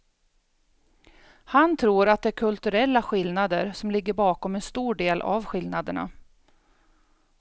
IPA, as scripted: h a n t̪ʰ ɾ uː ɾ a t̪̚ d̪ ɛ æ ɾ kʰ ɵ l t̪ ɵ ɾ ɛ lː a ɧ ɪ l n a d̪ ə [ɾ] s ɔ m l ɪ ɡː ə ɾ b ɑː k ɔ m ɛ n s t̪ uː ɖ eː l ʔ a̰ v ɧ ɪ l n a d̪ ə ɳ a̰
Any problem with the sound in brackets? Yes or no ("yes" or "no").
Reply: no